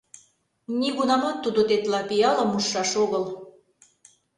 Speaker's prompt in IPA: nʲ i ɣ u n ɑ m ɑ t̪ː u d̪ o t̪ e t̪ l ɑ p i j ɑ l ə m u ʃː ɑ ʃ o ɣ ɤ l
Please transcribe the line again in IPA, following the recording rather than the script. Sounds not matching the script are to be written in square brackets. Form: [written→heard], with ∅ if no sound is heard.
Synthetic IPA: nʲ i ɣ u n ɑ m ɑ t̪ː u d̪ o t̪ e t̪ l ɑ p i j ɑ l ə m u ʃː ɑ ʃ o ɣ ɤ l

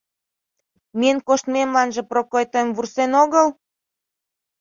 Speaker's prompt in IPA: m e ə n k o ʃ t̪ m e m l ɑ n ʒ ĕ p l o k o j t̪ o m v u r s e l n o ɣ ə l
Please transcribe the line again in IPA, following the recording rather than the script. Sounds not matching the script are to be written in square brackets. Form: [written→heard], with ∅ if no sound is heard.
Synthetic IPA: m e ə n k o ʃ t̪ m e m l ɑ n ʒ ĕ p [l→r] o k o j t̪ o m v u r s e [l→∅] n o ɣ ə l

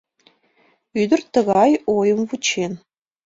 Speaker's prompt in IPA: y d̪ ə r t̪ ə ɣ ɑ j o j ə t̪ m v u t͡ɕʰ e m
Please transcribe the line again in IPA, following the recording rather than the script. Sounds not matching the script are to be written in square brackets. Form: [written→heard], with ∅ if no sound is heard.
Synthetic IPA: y d̪ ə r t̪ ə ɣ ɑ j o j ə [t̪→∅] m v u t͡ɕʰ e [m→n]

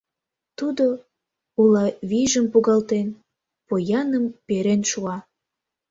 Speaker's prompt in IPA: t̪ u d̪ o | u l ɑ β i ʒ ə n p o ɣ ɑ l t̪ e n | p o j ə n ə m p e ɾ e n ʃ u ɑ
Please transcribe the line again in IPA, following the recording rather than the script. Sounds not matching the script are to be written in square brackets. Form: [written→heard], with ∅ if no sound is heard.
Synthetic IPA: t̪ u d̪ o | u l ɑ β i ʒ ə [n→m] p [o→u] ɣ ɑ l t̪ e n | p o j [ə→ɑ] n ə m p e ɾ e n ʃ u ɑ

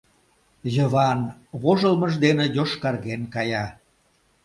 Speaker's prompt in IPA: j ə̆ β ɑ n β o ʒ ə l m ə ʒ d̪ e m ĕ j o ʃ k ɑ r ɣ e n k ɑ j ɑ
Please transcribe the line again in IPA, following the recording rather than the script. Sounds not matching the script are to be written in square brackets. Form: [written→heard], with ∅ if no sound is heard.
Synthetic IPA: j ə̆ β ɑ n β o ʒ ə l m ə ʒ d̪ e [m→n] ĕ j o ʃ k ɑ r ɣ e n k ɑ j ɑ

